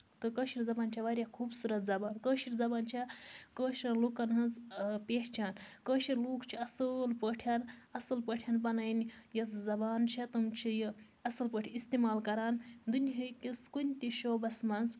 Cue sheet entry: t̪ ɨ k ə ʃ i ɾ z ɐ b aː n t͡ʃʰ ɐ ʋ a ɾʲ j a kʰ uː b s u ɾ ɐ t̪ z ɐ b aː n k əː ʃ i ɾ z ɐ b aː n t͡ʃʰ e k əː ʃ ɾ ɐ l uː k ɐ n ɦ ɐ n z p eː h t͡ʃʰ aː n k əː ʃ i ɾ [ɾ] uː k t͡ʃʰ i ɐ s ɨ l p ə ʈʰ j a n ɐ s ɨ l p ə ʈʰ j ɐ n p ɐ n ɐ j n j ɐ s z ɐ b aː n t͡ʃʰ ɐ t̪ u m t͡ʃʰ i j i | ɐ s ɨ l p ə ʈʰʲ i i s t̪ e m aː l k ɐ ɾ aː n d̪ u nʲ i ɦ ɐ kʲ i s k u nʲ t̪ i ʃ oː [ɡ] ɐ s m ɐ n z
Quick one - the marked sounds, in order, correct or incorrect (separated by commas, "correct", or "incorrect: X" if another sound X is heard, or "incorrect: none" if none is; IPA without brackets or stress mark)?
incorrect: l, incorrect: b